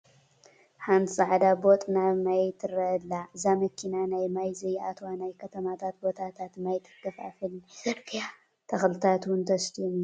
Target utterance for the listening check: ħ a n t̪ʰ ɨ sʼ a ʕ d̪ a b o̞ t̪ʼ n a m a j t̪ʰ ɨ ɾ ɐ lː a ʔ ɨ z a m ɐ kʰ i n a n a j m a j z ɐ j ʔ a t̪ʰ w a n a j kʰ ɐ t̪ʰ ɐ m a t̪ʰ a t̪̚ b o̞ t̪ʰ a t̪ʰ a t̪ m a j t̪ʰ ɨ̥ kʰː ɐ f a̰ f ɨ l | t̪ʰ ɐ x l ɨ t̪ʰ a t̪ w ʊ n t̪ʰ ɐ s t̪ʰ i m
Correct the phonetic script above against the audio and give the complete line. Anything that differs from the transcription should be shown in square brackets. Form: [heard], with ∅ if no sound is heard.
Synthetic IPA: ħ a n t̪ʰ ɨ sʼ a ʕ d̪ a b o̞ t̪ʼ n a m a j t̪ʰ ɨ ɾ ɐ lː a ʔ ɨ z a m ɐ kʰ i n a n a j m a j z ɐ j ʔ a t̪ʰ w a n a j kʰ ɐ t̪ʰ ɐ m a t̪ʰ a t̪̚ b o̞ t̪ʰ a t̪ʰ a t̪ m a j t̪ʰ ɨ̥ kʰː ɐ f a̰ f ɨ l | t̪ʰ ɐ x l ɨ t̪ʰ a t̪ w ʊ n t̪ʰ ɐ s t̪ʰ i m